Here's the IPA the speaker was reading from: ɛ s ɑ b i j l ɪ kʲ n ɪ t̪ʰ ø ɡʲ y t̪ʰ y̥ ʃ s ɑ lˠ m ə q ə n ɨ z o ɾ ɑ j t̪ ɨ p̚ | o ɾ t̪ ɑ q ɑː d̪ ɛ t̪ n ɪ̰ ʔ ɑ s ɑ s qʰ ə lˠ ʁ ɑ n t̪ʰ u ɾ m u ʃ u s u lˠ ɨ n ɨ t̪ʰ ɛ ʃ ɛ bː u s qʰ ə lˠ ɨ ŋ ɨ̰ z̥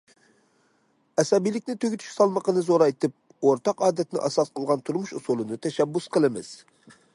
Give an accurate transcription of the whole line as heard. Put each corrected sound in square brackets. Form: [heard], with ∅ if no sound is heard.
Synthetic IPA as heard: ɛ s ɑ b i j l ɪ kʲ n ɪ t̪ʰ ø ɡʲ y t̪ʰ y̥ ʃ s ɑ lˠ m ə q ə n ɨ z o ɾ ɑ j t̪ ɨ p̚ | o ɾ t̪ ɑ q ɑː d̪ ɛ t̪ n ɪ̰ ʔ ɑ s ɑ s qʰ ə lˠ ʁ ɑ n t̪ʰ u ɾ m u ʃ u s u lˠ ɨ n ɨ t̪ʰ ɛ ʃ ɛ bː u s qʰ ə lˠ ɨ [m] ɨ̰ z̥